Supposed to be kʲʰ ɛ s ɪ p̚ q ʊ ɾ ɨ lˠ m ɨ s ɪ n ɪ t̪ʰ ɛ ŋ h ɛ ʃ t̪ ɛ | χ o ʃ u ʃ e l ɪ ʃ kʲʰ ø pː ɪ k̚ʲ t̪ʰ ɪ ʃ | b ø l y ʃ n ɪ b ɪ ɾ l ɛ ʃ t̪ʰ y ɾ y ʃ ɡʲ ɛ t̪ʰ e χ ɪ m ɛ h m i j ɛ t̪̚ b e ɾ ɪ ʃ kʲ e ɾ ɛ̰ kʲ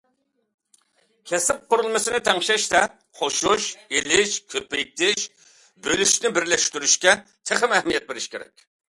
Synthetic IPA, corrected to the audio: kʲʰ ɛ s ɪ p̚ q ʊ ɾ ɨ lˠ m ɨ s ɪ n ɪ t̪ʰ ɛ ŋ ʃ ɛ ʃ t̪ ɛ | χ o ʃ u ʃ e l ɪ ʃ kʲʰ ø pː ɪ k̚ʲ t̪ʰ ɪ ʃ | b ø l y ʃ n ɪ b ɪ ɾ l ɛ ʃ t̪ y ɾ y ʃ kʲ ɛ t̪ʰ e χ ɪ m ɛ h m i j ɛ t̪̚ b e ɾ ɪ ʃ kʲ e ɾ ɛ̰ kʲ